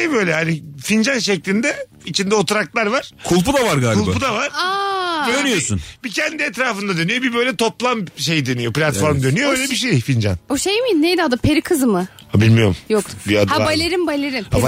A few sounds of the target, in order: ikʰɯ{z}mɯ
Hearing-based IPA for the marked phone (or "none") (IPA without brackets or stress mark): z